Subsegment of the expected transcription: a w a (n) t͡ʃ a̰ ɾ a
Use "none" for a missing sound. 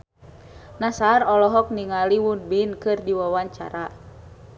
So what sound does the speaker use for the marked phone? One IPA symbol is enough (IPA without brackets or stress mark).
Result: ɲ